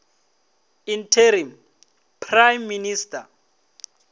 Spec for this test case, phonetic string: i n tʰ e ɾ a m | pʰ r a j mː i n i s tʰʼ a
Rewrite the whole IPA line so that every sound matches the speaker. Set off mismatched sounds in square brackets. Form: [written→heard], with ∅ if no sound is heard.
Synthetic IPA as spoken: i n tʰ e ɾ [a→i] m | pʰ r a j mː i n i s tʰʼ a